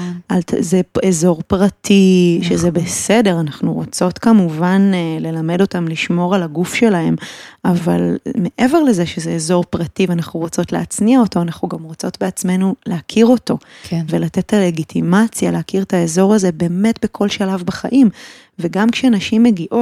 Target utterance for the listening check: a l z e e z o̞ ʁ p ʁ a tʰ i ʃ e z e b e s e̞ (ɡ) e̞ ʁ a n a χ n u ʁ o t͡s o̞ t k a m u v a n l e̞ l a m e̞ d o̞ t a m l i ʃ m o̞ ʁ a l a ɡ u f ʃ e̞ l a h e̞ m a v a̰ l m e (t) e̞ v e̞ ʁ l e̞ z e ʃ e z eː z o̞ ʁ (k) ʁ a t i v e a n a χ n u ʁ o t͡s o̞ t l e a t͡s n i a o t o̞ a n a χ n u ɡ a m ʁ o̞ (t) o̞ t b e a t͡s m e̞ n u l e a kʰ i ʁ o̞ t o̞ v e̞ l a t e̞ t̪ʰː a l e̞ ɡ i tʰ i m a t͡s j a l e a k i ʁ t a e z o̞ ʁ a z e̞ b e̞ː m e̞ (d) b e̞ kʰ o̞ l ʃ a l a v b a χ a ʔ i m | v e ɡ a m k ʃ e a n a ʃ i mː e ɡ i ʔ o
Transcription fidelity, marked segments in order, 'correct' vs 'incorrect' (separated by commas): incorrect, incorrect, incorrect, incorrect, incorrect